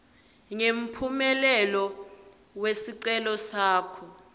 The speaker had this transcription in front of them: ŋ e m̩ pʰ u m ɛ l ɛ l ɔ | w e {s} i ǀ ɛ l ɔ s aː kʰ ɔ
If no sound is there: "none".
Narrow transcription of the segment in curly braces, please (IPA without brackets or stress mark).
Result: s